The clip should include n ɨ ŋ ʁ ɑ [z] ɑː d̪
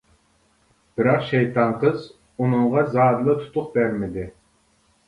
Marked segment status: correct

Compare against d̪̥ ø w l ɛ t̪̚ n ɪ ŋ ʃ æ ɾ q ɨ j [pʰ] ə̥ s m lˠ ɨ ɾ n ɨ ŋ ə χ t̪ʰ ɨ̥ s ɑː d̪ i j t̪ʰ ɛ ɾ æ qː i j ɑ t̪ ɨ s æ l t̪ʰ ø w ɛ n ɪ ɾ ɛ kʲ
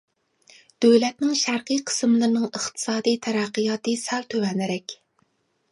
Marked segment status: incorrect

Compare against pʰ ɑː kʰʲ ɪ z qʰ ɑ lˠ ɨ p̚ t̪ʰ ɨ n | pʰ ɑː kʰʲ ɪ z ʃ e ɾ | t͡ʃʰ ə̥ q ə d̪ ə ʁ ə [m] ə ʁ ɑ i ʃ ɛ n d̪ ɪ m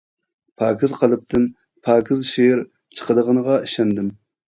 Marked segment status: incorrect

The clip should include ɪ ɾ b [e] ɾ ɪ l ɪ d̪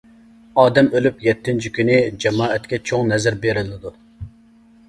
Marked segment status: correct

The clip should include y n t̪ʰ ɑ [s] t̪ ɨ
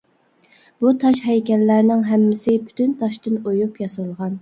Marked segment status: incorrect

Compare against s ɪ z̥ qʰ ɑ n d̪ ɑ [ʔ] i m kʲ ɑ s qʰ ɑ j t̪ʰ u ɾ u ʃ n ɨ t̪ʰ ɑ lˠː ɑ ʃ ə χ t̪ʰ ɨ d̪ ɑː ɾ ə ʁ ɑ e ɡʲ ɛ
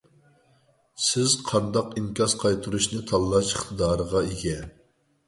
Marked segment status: incorrect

